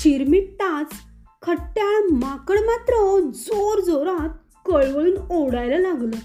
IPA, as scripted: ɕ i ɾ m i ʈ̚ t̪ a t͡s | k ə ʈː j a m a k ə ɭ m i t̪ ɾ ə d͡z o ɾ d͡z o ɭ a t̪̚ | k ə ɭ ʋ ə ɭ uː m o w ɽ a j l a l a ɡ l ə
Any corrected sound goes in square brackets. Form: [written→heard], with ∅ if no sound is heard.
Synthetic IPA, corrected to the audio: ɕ i ɾ m i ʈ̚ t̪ a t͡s | [k→kʰ] ə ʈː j a m a k ə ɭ m [i→a] t̪ ɾ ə d͡z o ɾ d͡z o [ɭ→ɾ] a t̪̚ | k ə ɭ ʋ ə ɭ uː [m→n] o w ɽ a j l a l a ɡ l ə